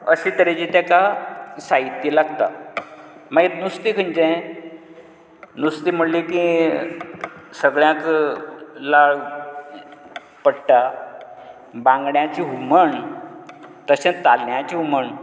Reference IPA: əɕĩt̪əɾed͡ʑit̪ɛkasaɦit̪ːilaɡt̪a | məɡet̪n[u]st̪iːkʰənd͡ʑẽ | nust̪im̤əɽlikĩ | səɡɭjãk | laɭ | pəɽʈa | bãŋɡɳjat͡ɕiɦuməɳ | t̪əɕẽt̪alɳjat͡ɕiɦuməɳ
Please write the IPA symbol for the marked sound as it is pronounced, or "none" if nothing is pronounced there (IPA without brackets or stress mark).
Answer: u